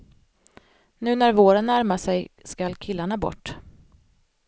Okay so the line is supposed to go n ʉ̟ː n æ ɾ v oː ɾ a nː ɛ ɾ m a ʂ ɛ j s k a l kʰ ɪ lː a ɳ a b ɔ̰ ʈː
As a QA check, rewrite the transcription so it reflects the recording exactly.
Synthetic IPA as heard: n ʉ̟ː n æ ɾ v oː ɾ ə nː æ ɾ m a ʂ ɛ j s k a l kʰ ɪ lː a ɳ a b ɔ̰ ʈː